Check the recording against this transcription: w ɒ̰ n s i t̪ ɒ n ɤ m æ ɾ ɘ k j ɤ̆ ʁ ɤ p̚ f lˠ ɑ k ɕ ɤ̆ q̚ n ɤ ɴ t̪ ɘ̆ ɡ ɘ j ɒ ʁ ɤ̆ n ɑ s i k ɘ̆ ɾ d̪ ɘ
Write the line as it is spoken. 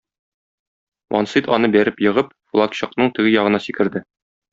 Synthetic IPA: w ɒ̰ n s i t̪ ɒ n ɤ b æ ɾ ɘ p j ɤ̆ ʁ ɤ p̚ f lˠ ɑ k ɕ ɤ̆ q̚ n ɤ ɴ t̪ ɘ̆ ɡ ɘ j ɒ ʁ ɤ̆ n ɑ s i k ɘ̆ ɾ d̪ ɘ